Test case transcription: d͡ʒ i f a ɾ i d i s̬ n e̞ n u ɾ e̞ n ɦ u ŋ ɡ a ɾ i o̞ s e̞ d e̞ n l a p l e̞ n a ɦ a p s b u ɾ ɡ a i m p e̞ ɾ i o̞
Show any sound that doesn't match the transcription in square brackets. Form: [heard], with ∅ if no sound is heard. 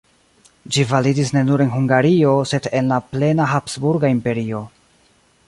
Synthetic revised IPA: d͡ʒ i [v] a [l] i d i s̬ n e̞ n u ɾ e̞ n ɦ u ŋ ɡ a ɾ i o̞ s e̞ d e̞ n l a p l e̞ n a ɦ a p s b u ɾ ɡ a i m p e̞ ɾ i o̞